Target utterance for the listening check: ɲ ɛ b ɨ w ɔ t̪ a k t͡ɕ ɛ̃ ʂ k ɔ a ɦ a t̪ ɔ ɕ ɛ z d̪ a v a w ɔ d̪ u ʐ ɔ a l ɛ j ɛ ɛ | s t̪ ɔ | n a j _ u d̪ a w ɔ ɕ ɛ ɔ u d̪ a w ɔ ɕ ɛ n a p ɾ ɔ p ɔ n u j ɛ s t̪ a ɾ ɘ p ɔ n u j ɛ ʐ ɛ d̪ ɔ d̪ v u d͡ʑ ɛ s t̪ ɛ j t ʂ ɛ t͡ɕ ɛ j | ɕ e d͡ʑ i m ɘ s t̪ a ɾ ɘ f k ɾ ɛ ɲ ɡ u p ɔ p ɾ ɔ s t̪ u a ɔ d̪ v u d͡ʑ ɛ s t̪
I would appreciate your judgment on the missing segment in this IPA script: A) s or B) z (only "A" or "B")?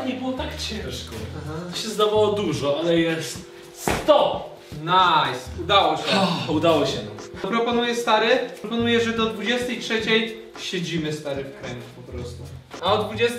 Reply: A